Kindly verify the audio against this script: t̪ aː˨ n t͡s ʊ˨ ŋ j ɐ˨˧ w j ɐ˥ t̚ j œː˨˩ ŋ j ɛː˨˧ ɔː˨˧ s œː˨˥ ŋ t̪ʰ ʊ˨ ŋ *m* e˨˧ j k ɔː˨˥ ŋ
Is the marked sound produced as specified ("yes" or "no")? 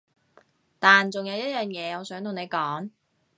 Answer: no